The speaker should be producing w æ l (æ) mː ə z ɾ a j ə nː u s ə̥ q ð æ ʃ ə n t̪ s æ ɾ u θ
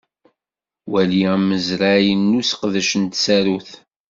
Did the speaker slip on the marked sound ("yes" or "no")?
yes